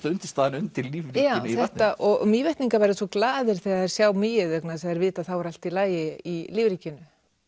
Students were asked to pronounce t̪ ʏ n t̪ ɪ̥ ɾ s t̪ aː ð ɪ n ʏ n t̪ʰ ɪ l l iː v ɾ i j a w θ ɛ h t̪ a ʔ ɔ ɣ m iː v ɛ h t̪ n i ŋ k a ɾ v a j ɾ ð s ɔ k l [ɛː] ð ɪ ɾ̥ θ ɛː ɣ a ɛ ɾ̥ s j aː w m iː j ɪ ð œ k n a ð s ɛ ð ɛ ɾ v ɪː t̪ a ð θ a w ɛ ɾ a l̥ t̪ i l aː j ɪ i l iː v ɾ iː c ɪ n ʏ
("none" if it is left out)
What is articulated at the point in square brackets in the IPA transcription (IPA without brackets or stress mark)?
aː